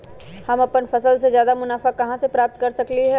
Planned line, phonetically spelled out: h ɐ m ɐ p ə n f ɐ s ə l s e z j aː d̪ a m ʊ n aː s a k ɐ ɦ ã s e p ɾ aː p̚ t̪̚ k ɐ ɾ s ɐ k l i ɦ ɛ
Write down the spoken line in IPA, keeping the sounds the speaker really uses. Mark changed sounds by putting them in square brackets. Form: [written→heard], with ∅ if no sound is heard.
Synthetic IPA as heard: h ɐ m ɐ p ə n f ɐ s ə l s e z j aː d̪ a m ʊ n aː [s→f] a k ɐ ɦ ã s e p ɾ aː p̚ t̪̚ k ɐ ɾ s ɐ k l i ɦ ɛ